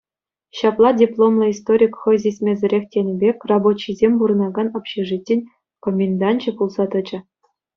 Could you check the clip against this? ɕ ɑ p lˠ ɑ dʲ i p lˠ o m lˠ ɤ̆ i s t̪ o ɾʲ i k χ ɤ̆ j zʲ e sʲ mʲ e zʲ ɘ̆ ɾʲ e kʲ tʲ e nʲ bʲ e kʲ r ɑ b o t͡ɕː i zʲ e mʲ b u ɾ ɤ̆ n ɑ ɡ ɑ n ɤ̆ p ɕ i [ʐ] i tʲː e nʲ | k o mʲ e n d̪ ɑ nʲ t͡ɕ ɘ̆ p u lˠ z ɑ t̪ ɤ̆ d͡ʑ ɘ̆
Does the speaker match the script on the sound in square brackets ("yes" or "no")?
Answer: yes